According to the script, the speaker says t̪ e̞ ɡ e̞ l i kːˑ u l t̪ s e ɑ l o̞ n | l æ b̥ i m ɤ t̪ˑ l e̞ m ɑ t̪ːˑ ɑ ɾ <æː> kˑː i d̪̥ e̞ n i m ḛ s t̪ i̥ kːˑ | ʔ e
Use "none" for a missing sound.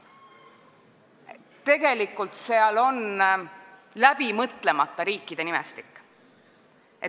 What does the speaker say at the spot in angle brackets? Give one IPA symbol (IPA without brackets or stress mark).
iː